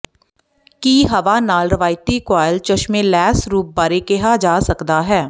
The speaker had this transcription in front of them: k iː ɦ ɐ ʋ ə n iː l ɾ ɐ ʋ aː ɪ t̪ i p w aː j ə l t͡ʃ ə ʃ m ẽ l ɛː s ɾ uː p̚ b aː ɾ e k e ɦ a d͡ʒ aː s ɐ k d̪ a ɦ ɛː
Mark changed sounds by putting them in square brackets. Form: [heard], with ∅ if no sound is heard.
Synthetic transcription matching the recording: k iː ɦ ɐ ʋ [a] n [aː] l ɾ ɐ ʋ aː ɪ t̪ i [k] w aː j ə l t͡ʃ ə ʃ m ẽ l ɛː s ɾ uː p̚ b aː ɾ e k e ɦ a d͡ʒ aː s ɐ k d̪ a ɦ ɛː